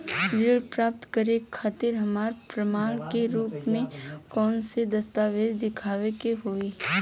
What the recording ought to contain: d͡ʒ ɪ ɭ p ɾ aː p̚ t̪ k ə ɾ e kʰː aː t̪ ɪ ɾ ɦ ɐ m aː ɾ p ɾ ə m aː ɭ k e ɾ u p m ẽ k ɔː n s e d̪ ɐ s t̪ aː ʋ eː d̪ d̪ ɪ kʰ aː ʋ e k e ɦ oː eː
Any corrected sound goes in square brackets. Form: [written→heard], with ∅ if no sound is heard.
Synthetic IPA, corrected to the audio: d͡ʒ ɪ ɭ p ɾ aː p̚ t̪ k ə ɾ e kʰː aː t̪ ɪ ɾ ɦ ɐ m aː ɾ p ɾ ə m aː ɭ k e ɾ [u→uː] p m ẽ k ɔː n s e d̪ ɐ s t̪ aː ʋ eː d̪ d̪ ɪ kʰ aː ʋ e k e ɦ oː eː